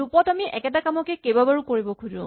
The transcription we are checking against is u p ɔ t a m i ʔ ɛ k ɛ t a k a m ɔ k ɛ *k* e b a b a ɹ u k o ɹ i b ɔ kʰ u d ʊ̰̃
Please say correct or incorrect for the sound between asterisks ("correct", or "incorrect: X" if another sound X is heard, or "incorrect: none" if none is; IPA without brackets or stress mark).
correct